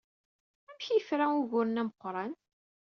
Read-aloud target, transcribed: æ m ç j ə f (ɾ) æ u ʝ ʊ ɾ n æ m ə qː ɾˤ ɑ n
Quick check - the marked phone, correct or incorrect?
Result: correct